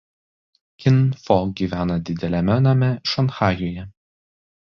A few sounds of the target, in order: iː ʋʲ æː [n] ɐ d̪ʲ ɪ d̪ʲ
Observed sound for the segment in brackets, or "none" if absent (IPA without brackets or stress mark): n